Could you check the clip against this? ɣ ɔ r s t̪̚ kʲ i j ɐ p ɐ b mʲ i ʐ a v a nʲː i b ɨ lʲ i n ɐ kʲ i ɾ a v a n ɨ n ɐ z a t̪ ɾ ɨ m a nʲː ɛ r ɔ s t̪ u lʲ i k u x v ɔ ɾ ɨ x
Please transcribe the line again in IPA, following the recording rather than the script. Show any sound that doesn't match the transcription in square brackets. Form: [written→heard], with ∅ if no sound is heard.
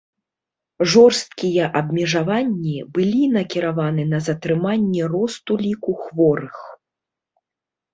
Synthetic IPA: [ɣ→ʐ] ɔ r s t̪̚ kʲ i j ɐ [p→ʔ] ɐ b mʲ [i→ɛ] ʐ a v a nʲː i b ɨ lʲ i n ɐ kʲ i ɾ a v a n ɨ n ɐ z [a→ɐ] t̪ ɾ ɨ m a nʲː ɛ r ɔ s t̪ u lʲ i k u x v ɔ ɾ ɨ x

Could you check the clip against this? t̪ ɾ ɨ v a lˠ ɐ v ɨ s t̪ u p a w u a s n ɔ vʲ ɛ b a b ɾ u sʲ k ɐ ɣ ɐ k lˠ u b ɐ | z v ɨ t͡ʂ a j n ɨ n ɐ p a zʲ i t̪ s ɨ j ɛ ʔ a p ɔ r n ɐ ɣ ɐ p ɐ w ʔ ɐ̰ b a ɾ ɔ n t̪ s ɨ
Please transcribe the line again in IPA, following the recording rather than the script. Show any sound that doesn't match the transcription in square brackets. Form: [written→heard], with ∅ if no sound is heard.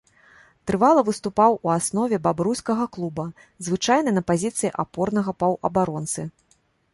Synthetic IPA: t̪ ɾ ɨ v a lˠ ɐ v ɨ s t̪ u p a w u a s n ɔ vʲ ɛ b a b ɾ u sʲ k ɐ ɣ ɐ k lˠ u b ɐ | z v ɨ t͡ʂ a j n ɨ n ɐ p a zʲ i t̪ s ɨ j [ɛ→i] ʔ a p ɔ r n ɐ ɣ ɐ p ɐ w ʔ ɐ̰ b a ɾ ɔ n t̪ s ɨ

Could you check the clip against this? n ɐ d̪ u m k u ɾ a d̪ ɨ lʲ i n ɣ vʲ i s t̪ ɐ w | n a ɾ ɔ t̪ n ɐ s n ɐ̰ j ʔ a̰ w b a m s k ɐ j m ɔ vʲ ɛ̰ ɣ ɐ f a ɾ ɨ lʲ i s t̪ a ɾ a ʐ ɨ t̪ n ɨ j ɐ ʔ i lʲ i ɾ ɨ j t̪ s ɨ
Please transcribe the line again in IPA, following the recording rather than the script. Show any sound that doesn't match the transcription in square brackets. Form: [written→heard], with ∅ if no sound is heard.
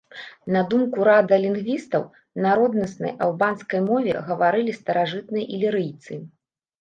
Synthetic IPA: n ɐ d̪ u m k u ɾ a d̪ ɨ lʲ i n ɣ vʲ i s t̪ ɐ w | n a ɾ ɔ [t̪→d̪] n ɐ s n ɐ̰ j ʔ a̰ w b a [m→n] s k ɐ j m ɔ vʲ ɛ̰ ɣ ɐ [f→v] a ɾ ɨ lʲ i s t̪ [a→ɐ] ɾ a ʐ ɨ t̪ n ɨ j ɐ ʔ i lʲ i ɾ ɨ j t̪ s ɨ

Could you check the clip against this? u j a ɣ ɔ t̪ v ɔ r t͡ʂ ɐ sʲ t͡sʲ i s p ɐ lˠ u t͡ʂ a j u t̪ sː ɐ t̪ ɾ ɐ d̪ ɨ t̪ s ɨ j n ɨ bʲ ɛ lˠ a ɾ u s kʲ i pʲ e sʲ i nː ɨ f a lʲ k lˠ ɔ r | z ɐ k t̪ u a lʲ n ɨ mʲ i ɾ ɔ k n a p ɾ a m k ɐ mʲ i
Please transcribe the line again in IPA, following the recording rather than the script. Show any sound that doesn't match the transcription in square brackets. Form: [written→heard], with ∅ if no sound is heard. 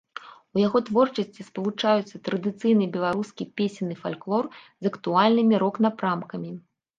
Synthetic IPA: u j a ɣ ɔ t̪ v ɔ r t͡ʂ ɐ sʲ t͡sʲ i s p ɐ lˠ u t͡ʂ a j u t̪ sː ɐ t̪ ɾ ɐ d̪ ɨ t̪ s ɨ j n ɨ bʲ ɛ lˠ a ɾ u s kʲ i pʲ e sʲ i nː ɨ f a lʲ k lˠ ɔ r | z ɐ k t̪ u a lʲ n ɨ mʲ i ɾ ɔ k n a p ɾ a m k ɐ mʲ i

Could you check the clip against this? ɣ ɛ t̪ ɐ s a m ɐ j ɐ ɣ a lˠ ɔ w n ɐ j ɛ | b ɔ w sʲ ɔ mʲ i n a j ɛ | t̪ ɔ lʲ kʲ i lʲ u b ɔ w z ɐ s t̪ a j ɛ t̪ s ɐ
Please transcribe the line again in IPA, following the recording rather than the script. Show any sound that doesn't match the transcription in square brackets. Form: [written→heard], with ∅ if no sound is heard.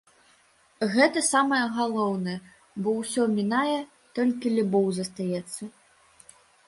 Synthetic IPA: ɣ ɛ t̪ ɐ s a m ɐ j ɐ ɣ a lˠ ɔ w n ɐ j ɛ | b ɔ w sʲ ɔ mʲ i n a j ɛ | t̪ ɔ lʲ kʲ i lʲ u b ɔ w z ɐ s t̪ a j ɛ t̪ [s→sː] ɐ

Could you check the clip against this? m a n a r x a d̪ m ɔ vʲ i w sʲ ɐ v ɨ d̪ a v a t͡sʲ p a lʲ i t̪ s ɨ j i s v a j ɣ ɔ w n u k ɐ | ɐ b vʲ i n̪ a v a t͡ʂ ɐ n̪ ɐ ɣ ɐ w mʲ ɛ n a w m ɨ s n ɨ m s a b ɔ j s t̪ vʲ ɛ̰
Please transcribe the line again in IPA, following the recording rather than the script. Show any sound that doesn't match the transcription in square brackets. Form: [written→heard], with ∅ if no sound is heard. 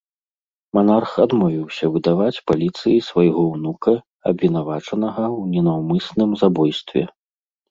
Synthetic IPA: m a n a r x a d̪ m ɔ vʲ i w sʲ ɐ v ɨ d̪ a v a t͡sʲ p a lʲ i t̪ s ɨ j i s v a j ɣ ɔ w n u k ɐ | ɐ b vʲ i n̪ a v a t͡ʂ ɐ n̪ ɐ ɣ ɐ w [mʲ→nʲ] ɛ n a w m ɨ s n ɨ m [s→z] a b ɔ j s t̪ vʲ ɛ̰

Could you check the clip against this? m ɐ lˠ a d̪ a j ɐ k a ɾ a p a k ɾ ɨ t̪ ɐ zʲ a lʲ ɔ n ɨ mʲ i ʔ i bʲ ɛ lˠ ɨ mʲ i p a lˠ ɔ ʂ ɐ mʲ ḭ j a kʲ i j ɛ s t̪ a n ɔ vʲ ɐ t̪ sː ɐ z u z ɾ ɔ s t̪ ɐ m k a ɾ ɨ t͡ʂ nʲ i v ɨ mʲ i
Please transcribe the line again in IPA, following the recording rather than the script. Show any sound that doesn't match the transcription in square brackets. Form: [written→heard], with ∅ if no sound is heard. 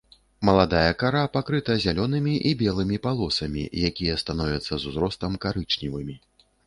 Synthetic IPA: m ɐ lˠ a d̪ a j ɐ k a ɾ a p a k ɾ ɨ t̪ ɐ zʲ a lʲ ɔ n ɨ mʲ i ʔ i bʲ ɛ lˠ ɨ mʲ i p a lˠ ɔ [ʂ→s] ɐ mʲ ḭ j a kʲ i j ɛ s t̪ a n ɔ vʲ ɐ t̪ sː ɐ z u z ɾ ɔ s t̪ ɐ m k a ɾ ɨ t͡ʂ nʲ i v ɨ mʲ i

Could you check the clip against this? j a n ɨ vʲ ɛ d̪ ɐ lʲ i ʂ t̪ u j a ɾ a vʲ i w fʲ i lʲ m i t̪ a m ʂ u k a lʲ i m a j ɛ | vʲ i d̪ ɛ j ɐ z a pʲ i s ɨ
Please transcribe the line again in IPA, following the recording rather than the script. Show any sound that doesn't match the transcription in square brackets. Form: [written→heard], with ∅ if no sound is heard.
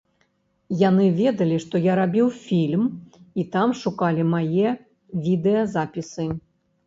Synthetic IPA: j a n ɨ vʲ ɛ d̪ ɐ lʲ i ʂ t̪ [u→ɔ] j a ɾ a [vʲ→bʲ] i w fʲ i lʲ m i t̪ a m ʂ u k a lʲ i m a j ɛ | vʲ i d̪ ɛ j ɐ z a pʲ i s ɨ

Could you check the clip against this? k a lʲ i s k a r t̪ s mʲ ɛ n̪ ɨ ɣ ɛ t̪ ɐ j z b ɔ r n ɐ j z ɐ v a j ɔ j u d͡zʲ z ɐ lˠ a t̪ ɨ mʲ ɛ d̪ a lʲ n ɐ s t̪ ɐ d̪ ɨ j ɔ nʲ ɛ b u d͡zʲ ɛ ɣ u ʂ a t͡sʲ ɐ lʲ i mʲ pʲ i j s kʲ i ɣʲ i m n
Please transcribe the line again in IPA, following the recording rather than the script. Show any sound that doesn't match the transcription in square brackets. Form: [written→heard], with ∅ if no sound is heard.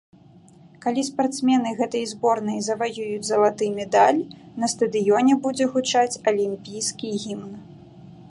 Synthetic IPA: k a lʲ i s [k→p] a r t̪ s mʲ ɛ n̪ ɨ ɣ ɛ t̪ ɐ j z b ɔ r n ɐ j z ɐ v a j [ɔ→u] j u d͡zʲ z ɐ lˠ a t̪ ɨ mʲ ɛ d̪ a lʲ n ɐ s t̪ ɐ d̪ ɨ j ɔ nʲ ɛ b u d͡zʲ ɛ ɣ u [ʂ→t͡ʂ] a t͡sʲ ɐ lʲ i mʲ pʲ i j s kʲ i ɣʲ i m n

